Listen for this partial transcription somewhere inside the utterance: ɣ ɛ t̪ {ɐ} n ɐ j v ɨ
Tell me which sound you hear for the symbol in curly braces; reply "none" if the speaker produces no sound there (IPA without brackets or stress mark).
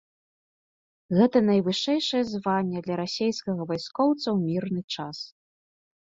ɐ